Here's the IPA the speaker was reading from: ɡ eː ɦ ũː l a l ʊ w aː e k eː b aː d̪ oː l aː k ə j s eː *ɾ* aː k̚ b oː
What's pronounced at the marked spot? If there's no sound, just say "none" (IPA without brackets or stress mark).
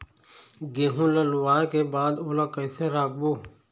ɾ